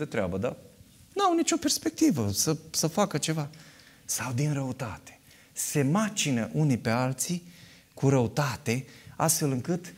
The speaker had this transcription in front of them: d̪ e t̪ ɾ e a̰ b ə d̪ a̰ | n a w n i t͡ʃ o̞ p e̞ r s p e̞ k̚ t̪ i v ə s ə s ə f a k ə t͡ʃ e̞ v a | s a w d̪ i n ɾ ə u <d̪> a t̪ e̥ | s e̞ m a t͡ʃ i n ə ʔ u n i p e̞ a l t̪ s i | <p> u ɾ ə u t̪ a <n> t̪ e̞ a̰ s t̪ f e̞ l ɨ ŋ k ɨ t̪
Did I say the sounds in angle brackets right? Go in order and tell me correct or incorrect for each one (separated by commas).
incorrect, incorrect, incorrect